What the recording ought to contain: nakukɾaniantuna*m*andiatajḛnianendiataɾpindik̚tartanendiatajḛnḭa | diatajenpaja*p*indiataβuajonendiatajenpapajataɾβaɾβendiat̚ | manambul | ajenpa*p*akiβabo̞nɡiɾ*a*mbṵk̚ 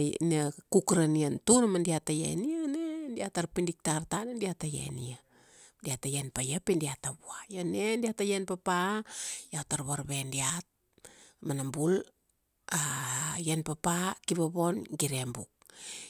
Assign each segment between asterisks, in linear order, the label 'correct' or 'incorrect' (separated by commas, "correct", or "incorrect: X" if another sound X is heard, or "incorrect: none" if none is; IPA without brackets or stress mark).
correct, correct, correct, incorrect: e